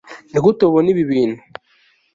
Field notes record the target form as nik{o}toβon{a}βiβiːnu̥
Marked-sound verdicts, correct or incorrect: incorrect, incorrect

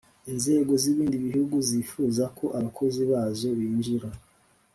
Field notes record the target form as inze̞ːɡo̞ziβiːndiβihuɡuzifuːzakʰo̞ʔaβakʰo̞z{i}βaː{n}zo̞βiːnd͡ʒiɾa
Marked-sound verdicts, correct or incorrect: correct, incorrect

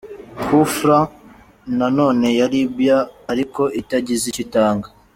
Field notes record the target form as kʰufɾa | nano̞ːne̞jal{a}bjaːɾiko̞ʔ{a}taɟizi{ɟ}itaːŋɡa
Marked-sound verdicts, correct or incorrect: incorrect, incorrect, incorrect

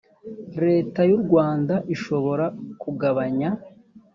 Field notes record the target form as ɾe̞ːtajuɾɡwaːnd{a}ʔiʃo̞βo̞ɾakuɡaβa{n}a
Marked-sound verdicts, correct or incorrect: correct, incorrect

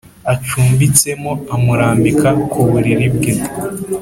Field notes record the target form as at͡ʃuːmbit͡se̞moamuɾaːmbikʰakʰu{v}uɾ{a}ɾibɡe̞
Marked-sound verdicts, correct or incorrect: incorrect, incorrect

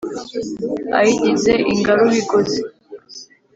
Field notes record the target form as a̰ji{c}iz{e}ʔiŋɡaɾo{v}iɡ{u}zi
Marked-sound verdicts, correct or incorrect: incorrect, correct, incorrect, incorrect

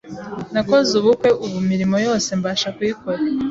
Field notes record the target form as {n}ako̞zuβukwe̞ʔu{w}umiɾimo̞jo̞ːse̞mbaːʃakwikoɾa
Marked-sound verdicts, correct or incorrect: correct, incorrect

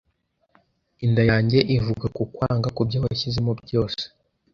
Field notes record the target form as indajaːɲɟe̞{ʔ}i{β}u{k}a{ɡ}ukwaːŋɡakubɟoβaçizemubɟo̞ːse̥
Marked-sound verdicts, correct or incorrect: correct, incorrect, incorrect, incorrect

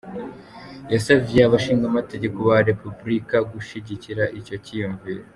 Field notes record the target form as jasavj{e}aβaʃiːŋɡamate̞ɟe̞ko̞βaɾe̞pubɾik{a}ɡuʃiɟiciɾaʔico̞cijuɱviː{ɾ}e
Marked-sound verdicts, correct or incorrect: correct, correct, correct

